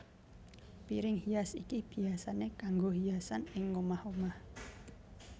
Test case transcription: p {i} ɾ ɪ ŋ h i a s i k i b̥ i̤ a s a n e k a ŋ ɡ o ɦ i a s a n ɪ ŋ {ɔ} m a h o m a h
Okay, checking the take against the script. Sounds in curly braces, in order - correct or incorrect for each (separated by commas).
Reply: correct, incorrect